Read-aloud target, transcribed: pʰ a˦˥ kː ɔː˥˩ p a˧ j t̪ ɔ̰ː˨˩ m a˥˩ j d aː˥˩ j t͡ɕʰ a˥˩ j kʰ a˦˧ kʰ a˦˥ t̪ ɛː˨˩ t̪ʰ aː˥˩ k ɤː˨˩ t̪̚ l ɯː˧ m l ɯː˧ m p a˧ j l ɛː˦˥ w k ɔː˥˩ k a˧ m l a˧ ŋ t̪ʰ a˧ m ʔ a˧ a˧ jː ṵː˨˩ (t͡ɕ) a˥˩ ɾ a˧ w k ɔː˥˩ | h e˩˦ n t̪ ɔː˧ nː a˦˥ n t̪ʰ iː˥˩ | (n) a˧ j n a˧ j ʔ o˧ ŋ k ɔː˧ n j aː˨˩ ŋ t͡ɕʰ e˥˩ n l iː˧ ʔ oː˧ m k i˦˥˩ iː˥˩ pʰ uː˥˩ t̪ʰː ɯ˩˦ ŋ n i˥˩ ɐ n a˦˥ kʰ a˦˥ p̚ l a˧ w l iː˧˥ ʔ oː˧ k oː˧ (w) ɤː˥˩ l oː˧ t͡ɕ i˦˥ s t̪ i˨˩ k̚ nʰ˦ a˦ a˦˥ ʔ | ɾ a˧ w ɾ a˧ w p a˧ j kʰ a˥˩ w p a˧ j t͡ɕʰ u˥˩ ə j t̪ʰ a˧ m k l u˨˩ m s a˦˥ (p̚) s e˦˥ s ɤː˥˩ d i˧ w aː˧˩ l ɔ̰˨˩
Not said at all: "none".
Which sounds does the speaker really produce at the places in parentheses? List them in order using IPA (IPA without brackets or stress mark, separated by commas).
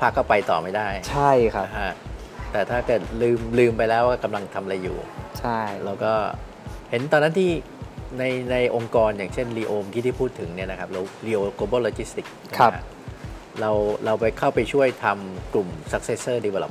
t͡ɕʰ, n, b, k̚